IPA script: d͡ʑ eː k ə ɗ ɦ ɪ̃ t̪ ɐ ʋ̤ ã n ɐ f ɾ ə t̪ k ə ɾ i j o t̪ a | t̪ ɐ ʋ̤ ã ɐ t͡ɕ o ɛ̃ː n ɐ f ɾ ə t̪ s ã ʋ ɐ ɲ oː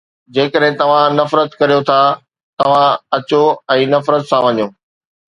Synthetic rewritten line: d͡ʑ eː k ə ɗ ɦ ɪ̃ t̪ ɐ ʋ̤ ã n ɐ f ɾ ə t̪ k ɐ ɾ i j o t̪ʰ a | t̪ ɐ ʋ̤ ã ɐ t͡ɕ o ɛ̃ː n ɐ f ɾ ə t̪ s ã ʋ ɐ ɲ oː

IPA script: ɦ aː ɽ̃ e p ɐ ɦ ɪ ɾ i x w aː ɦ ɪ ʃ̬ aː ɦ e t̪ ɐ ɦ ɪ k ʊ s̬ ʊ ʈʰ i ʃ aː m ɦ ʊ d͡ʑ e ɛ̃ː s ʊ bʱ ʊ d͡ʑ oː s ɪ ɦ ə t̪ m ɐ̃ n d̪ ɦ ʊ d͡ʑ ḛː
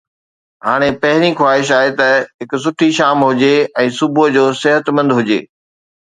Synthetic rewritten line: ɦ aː ɽ̃ e p ɐ ɦ ɪ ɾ i x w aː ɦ ɪ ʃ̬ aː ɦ e t̪ ɐ ɦ ɪ k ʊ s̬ ʊ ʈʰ i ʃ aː m ɦ ʊ d͡ʑ e ɛ̃ː s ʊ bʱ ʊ d͡ʑ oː s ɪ ɦ ə t̪ m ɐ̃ n d̪ ɦ ʊ d͡ʑ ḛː

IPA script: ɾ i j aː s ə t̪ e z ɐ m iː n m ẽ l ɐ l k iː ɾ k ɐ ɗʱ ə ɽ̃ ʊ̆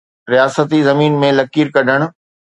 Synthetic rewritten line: ɾ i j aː s ə t̪ i z ɐ m iː n m ẽ l ɐ k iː ɾ k ɐ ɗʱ ə ɽ̃ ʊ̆

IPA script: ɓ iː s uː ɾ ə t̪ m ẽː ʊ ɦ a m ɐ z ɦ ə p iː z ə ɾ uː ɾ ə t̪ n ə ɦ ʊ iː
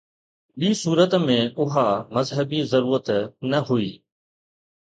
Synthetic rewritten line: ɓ iː s uː ɾ ə t̪ m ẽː ʊ ɦ a m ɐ z ɦ ə b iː z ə ɾ uː ɾ ə t̪ n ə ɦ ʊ iː

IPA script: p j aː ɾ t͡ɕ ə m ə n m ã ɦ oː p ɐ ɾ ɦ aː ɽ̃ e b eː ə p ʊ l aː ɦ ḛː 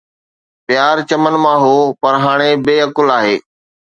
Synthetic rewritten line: p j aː ɾ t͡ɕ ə m ə n m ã ɦ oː p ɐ ɾ ɦ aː ɽ̃ e b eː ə k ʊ l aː ɦ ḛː

